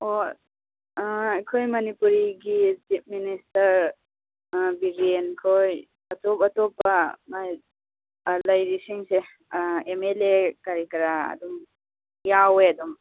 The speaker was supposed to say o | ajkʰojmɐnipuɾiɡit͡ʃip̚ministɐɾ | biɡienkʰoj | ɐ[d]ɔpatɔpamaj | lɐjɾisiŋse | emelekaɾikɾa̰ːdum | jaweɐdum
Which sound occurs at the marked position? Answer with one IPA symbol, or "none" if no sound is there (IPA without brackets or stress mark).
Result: t